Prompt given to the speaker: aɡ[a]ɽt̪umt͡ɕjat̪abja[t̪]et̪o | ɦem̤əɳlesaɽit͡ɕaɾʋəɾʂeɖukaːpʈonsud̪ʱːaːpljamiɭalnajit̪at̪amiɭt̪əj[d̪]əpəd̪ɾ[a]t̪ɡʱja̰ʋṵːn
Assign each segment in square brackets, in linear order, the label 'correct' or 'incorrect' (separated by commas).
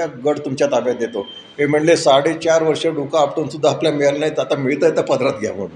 incorrect, incorrect, incorrect, correct